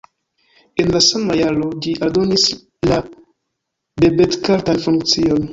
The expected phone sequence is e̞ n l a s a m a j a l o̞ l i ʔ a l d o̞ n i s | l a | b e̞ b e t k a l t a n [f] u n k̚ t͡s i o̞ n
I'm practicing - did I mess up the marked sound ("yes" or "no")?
no